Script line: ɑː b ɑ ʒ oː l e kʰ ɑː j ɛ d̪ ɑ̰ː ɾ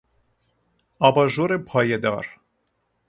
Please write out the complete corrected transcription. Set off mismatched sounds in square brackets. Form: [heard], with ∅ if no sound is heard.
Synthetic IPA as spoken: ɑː b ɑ ʒ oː [ɾ] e [pʰ] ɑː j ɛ d̪ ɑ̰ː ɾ